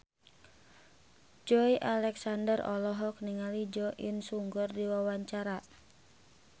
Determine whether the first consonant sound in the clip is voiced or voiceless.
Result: voiced